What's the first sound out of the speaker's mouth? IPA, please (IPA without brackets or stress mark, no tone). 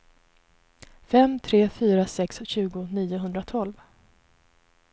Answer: f